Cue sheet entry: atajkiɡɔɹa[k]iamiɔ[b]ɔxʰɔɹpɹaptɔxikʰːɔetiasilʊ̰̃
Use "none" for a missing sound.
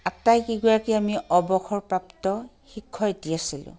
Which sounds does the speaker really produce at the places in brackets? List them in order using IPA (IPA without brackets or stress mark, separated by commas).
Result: k, b